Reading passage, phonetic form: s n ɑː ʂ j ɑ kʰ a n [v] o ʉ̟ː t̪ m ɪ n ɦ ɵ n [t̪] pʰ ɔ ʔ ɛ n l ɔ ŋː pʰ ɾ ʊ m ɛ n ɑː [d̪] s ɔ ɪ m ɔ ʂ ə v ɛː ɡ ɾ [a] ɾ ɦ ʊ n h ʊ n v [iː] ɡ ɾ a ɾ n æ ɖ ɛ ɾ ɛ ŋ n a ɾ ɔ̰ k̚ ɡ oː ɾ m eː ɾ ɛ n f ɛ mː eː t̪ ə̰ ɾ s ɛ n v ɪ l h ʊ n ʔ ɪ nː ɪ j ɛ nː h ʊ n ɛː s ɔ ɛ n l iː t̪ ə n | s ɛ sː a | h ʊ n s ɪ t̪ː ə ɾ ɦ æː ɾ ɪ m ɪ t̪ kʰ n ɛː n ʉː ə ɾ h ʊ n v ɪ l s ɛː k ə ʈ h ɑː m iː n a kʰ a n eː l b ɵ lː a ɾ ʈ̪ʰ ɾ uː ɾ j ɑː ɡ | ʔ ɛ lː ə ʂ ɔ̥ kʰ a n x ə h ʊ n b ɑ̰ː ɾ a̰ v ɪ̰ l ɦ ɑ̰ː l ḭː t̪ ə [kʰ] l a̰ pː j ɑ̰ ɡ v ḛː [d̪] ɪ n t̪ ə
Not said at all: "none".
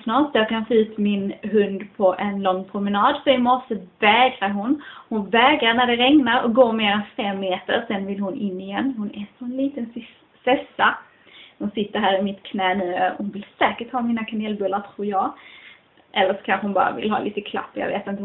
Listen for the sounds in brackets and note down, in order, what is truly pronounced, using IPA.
f, d̪, d̪, a, ɛː, kʰ, t̪

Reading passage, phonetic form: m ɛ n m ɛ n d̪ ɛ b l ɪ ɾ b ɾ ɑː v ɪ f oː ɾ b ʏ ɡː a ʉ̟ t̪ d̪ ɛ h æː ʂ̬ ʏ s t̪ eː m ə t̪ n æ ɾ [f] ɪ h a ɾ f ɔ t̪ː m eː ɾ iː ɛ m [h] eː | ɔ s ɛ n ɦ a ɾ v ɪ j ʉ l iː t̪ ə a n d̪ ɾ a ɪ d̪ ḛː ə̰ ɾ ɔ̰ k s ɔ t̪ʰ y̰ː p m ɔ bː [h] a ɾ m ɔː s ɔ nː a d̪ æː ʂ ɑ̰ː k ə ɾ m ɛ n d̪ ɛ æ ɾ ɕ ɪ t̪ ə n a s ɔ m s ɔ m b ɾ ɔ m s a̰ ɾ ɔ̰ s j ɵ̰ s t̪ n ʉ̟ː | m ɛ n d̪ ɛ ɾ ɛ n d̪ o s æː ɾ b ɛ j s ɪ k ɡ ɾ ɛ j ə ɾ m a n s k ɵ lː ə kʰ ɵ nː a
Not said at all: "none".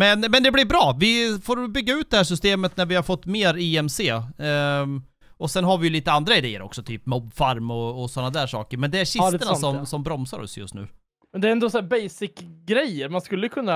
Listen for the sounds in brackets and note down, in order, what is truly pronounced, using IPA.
v, s, f

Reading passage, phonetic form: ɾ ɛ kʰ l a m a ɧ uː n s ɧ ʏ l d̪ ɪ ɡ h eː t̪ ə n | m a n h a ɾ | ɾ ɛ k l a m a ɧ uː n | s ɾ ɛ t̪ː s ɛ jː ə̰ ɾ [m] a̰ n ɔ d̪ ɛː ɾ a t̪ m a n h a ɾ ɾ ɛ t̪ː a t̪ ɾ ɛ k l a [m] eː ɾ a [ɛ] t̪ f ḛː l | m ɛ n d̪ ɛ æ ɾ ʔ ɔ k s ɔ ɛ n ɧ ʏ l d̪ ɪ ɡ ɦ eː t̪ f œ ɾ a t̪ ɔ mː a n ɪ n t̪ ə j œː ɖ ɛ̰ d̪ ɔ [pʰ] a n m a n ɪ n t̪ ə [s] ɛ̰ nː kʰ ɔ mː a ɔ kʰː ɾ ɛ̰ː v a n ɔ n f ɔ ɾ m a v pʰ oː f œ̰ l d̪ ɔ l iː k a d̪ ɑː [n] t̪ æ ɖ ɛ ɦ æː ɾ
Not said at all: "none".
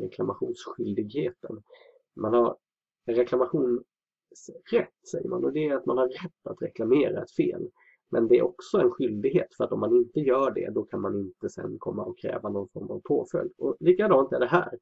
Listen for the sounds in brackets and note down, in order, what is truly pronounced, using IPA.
m, m, ɛ, kʰ, s, n

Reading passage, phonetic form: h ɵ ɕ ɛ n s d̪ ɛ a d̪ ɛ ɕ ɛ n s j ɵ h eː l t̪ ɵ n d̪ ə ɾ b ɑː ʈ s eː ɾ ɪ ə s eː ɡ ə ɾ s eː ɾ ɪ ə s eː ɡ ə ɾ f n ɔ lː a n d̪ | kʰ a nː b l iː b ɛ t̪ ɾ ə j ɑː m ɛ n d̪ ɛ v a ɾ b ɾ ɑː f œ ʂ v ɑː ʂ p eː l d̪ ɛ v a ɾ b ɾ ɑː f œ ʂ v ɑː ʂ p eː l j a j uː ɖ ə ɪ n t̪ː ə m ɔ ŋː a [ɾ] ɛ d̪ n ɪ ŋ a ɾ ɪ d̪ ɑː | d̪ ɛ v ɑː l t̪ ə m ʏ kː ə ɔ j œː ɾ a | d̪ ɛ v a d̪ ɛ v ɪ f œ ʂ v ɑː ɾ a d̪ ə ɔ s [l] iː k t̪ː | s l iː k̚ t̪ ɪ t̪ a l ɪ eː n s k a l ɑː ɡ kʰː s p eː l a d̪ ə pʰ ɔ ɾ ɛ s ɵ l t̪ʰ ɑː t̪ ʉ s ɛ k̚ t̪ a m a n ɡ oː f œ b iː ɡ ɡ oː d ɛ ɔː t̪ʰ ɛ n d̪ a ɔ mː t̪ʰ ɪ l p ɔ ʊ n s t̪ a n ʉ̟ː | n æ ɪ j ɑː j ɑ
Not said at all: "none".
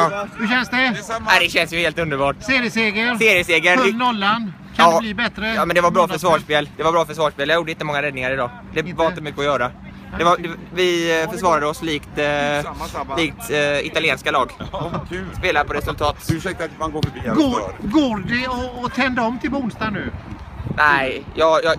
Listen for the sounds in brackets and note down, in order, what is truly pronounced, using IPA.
ɾ, l

